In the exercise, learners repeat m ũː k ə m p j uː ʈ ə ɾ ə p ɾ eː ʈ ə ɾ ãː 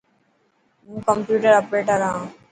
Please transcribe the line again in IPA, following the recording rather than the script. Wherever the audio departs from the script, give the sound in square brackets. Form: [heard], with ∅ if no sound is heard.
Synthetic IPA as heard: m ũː k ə m p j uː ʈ ə ɾ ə p ɾ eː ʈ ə ɾ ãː

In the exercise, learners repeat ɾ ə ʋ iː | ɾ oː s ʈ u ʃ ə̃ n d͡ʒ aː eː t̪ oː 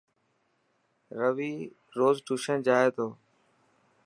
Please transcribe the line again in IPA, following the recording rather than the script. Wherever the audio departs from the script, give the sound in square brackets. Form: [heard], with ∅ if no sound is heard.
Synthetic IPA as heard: ɾ ə ʋ iː | ɾ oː [z] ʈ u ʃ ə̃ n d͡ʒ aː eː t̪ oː

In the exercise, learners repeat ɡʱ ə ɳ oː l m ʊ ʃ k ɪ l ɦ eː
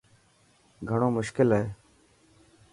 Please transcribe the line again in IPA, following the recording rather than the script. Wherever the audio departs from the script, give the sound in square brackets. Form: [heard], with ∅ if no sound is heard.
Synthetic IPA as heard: ɡʱ ə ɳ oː [∅] m ʊ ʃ k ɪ l ɦ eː

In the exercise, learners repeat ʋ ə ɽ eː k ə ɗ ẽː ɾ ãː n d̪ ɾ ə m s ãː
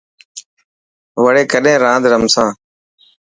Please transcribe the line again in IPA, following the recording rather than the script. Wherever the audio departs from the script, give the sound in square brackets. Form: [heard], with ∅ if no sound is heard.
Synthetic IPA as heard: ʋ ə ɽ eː k ə ɗ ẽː ɾ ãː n d̪ ɾ ə m s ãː

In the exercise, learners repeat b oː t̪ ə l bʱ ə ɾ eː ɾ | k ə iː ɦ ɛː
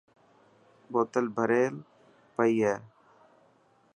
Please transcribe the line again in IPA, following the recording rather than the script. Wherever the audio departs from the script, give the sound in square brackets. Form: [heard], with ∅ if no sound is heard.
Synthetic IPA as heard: b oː t̪ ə l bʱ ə ɾ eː [l] | [p] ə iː ɦ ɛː

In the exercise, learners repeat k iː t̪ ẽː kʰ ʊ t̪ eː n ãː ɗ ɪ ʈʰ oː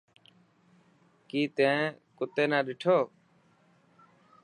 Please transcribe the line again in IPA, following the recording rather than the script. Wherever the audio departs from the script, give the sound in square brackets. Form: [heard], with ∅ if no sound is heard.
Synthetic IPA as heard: k iː t̪ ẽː [k] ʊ t̪ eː n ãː ɗ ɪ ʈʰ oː

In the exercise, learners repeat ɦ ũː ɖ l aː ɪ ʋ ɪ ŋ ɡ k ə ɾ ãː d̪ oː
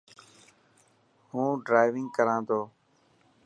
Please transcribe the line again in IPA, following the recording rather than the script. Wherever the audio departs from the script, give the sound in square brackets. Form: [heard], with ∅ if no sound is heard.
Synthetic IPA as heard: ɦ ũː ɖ [ɾ] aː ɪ ʋ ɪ ŋ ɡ k ə ɾ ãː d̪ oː

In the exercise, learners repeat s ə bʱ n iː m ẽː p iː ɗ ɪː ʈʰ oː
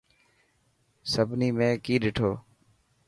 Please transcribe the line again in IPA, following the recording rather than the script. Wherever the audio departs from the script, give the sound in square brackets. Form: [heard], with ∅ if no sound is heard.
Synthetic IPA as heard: s ə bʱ n iː m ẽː [k] iː ɗ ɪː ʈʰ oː

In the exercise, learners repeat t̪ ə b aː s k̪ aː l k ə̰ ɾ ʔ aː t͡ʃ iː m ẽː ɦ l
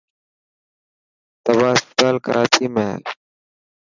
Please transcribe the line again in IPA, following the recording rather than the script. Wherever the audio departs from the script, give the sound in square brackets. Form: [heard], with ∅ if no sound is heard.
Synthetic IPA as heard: t̪ ə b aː s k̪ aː l k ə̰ ɾ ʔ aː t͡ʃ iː m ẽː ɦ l

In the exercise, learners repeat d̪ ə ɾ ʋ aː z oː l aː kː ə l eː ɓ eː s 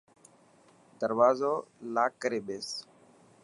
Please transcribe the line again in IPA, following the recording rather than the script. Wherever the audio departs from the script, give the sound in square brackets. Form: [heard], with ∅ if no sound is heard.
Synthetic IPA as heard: d̪ ə ɾ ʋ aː z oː l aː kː ə [ɾ] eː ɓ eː s

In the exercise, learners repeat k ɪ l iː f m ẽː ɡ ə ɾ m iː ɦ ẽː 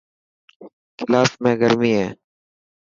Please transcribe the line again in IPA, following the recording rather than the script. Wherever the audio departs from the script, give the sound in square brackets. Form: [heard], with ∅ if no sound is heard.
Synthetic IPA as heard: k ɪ l [aː] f m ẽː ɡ ə ɾ m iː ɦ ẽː

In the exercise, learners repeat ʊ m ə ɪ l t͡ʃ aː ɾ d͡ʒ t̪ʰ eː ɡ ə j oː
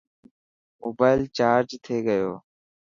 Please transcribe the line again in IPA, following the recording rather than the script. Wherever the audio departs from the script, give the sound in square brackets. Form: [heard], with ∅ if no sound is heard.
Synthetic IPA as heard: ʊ [b] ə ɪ l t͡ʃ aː ɾ d͡ʒ t̪ʰ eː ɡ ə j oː

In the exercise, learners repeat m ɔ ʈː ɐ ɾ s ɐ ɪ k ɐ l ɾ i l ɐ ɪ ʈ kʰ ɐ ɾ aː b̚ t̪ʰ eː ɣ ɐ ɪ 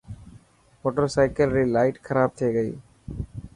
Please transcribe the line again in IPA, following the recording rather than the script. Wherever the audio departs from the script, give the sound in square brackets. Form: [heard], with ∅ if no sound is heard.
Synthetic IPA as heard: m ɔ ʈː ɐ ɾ s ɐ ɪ k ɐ l ɾ i l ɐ ɪ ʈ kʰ ɐ ɾ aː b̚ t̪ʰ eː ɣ ɐ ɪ

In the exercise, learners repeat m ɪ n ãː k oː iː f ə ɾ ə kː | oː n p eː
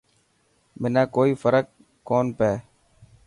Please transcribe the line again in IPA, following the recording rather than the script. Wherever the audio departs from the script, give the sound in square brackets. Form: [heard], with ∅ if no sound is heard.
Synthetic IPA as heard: m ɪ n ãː k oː iː f ə ɾ ə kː | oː n p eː

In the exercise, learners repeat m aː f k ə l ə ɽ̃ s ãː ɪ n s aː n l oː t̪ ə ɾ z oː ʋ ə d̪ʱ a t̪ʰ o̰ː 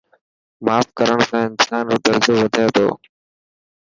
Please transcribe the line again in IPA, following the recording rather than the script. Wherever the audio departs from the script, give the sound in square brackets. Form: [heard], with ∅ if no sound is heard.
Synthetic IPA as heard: m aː f k ə [ɾ] ə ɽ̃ s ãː ɪ n s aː n [ɾ] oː t̪ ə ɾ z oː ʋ ə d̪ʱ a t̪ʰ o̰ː

